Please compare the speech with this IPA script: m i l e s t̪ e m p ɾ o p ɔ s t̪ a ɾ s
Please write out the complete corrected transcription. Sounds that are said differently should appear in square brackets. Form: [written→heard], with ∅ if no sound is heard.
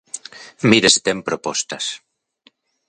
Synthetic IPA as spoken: m i [l→ɾ] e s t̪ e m p ɾ o p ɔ s t̪ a [ɾ→∅] s